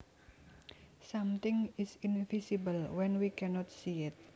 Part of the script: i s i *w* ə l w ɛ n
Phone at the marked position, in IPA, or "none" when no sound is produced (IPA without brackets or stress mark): b